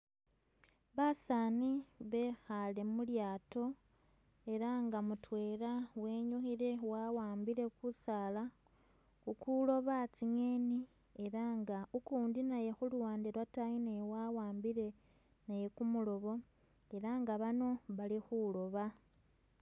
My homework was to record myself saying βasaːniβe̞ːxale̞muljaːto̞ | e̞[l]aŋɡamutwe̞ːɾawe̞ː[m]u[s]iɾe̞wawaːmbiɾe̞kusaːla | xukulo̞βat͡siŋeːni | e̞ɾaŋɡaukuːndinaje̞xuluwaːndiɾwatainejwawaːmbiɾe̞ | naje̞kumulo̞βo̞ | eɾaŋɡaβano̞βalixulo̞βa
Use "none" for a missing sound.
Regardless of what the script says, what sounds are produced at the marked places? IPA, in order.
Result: ɾ, ɲ, x

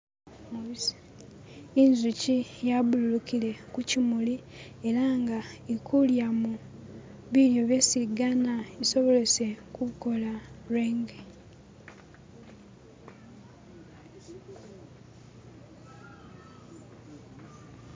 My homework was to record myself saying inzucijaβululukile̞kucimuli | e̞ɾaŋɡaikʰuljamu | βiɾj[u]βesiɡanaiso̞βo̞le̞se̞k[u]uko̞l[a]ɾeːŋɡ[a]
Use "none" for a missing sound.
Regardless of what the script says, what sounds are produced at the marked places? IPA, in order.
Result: o, u, a, e

